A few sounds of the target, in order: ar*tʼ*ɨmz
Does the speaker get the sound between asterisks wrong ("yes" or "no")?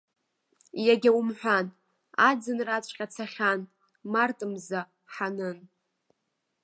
no